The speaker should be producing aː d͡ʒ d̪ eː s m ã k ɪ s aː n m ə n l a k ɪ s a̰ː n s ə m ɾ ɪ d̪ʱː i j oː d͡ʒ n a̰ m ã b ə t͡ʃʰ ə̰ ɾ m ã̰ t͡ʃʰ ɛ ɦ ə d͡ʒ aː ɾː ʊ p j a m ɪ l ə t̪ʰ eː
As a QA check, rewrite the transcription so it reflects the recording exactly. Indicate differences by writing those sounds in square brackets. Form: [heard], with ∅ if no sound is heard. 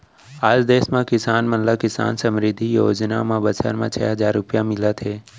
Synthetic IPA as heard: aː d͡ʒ d̪ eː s m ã k ɪ s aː n m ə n l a k ɪ s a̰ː n s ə m ɾ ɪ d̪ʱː i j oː d͡ʒ n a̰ m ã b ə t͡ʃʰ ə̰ ɾ m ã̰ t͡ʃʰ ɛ ɦ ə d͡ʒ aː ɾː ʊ p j a m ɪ l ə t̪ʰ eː